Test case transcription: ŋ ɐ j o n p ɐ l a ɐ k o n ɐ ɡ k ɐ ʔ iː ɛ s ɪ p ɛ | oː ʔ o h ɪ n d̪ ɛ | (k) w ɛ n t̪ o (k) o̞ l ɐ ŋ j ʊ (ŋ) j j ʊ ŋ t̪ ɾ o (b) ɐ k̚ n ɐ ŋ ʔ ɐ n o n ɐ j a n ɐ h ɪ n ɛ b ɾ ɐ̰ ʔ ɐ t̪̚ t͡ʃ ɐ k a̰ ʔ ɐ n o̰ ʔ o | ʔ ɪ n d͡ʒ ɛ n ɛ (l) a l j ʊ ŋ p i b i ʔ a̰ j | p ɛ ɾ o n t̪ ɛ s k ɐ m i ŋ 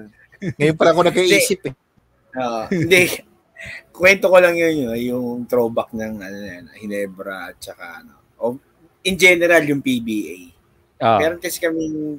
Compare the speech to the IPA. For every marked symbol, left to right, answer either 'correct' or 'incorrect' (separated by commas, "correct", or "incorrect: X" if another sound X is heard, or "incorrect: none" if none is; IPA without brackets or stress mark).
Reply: correct, correct, incorrect: n, correct, incorrect: ɾ